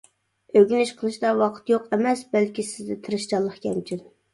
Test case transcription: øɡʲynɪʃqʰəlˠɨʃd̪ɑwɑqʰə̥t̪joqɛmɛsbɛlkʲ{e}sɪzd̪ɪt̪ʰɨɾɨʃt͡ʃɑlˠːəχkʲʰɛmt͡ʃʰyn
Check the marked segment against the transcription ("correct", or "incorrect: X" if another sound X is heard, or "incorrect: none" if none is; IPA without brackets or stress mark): incorrect: i